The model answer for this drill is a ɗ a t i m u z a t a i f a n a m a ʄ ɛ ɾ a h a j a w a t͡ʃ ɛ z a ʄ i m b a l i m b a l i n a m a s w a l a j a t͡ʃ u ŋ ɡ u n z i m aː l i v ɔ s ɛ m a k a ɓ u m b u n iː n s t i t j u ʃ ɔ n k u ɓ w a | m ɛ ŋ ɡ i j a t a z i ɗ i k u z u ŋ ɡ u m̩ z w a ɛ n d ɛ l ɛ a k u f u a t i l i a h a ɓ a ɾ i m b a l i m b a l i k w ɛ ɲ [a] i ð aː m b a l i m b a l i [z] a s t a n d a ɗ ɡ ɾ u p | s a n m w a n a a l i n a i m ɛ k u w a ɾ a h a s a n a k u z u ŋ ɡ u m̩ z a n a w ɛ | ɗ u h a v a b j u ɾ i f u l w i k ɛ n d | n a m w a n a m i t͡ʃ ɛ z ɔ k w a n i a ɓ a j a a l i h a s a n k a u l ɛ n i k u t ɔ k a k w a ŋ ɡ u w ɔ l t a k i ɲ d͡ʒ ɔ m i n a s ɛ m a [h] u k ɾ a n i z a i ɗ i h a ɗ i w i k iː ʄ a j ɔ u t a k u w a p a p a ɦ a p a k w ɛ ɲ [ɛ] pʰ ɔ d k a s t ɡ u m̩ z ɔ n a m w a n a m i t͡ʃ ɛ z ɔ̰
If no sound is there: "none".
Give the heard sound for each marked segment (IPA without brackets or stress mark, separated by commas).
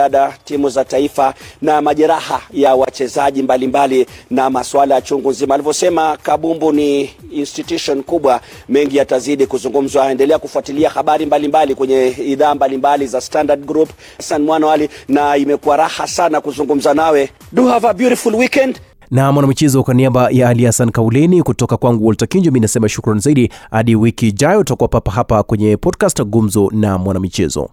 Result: ɛ, z, ʃ, ɛ